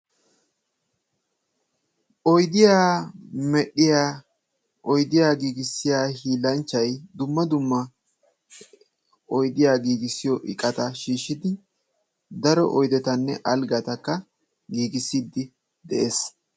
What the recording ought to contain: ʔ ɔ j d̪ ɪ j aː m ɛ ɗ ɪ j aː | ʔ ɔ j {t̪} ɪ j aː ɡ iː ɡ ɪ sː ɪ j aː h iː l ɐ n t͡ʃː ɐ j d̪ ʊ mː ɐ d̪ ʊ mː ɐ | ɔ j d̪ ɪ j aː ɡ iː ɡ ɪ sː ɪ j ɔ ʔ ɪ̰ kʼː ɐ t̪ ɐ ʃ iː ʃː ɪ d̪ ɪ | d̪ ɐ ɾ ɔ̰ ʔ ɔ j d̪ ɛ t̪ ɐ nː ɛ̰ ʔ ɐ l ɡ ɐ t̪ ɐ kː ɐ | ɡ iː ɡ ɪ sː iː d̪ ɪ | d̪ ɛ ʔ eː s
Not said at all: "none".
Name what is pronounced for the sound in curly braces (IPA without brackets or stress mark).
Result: d̪